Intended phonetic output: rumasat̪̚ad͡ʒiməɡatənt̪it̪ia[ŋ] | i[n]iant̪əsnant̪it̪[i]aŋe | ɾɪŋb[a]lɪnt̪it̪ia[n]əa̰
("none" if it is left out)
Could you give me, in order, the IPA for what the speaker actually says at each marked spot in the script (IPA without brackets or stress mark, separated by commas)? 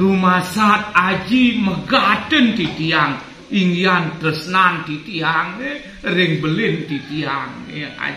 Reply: ŋ, ŋ, i, ə, ŋ